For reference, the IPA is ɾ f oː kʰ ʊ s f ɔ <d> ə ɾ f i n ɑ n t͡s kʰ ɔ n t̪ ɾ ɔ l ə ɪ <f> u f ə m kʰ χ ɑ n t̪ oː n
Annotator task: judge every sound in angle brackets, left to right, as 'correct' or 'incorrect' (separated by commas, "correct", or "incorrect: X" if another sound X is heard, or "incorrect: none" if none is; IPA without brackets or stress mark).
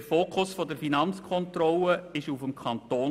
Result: correct, incorrect: ʃ